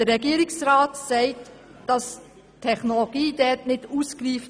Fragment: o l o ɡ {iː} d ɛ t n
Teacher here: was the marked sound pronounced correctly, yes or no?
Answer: yes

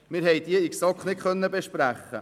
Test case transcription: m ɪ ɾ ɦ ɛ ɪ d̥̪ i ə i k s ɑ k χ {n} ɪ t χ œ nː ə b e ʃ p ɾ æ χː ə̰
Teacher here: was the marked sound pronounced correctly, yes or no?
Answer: yes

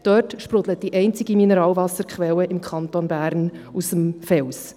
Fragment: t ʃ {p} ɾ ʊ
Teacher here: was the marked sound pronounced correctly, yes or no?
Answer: yes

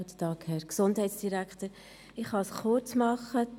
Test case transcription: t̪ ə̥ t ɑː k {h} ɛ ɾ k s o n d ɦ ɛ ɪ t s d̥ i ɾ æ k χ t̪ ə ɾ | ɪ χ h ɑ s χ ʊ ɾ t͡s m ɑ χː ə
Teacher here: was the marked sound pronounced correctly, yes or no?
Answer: yes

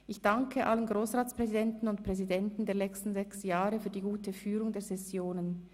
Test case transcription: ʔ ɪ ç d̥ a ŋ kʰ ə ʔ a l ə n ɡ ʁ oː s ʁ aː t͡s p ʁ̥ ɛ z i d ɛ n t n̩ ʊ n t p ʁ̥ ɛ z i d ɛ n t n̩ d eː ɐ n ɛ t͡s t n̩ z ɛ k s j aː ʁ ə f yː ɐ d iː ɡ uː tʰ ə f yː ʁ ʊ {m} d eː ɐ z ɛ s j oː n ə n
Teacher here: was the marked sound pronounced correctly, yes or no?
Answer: no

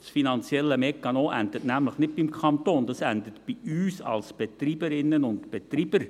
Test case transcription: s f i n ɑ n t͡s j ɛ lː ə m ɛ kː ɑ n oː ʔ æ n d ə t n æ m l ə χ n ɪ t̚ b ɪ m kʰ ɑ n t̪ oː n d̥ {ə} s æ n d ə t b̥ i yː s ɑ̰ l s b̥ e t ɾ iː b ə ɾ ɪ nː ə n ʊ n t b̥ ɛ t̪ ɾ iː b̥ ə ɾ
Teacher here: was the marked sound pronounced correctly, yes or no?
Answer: no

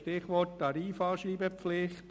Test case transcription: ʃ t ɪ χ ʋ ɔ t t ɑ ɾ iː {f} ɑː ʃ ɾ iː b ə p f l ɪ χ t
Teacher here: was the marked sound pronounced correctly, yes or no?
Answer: yes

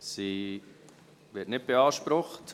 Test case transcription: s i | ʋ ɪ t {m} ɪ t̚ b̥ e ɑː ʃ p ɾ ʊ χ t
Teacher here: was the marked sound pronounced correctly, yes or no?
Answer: no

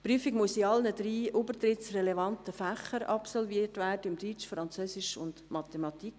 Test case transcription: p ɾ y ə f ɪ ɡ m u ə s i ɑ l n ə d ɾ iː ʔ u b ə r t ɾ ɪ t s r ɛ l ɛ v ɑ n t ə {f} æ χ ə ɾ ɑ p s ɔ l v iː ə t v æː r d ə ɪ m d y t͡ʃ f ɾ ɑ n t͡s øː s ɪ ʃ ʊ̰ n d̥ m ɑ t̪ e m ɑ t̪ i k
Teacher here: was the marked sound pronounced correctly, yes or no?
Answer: yes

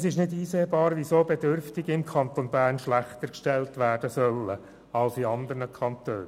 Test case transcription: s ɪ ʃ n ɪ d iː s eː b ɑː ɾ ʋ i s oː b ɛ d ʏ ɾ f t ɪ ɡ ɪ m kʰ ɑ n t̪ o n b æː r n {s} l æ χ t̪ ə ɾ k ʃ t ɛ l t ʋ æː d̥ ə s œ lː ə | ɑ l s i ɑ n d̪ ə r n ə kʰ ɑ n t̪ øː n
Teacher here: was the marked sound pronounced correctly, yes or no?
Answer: no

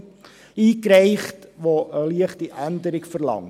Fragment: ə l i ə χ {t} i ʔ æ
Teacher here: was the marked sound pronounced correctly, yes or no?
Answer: yes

